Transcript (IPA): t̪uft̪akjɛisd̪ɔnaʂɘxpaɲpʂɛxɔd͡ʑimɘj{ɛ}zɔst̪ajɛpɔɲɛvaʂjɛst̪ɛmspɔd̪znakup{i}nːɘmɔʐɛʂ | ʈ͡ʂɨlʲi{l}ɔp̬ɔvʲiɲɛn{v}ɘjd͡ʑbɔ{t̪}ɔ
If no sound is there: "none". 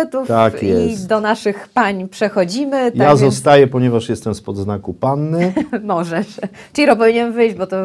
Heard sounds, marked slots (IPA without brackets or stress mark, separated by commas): a, a, ɾ, v, t̪